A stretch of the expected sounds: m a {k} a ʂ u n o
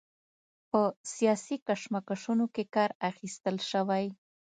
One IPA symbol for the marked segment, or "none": k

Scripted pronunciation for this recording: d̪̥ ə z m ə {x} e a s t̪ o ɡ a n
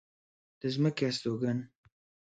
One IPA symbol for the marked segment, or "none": k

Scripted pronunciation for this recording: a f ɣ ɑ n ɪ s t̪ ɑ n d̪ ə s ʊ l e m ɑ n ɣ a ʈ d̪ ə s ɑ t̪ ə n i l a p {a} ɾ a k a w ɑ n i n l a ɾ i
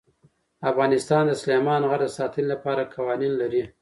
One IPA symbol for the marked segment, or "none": ɑ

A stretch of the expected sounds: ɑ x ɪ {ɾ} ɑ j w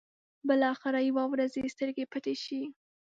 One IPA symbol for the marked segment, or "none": ɾ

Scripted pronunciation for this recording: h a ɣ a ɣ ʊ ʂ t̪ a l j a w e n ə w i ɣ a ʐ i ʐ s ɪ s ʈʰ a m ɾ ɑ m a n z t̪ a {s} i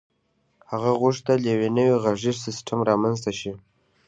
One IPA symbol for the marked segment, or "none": ʃ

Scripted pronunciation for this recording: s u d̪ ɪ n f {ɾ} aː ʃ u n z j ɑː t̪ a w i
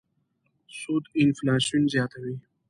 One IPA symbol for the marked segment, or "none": l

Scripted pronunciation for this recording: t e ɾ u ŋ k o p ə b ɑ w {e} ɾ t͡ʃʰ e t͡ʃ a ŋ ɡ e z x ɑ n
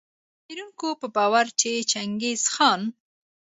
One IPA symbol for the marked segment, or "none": a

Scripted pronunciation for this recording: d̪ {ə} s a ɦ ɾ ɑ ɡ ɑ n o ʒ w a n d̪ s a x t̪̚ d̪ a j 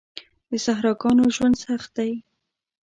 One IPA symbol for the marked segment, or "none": ə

